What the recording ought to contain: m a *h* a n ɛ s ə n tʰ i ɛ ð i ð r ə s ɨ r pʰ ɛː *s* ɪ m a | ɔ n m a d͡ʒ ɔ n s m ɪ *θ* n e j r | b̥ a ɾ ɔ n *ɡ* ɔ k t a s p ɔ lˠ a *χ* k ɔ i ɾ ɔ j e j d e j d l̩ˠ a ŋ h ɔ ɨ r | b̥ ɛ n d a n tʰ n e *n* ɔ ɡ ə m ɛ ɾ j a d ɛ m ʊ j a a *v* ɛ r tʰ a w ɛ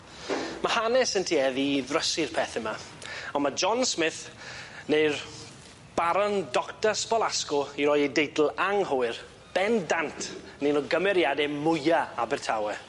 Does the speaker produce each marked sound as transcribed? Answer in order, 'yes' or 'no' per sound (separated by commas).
yes, no, yes, no, no, yes, no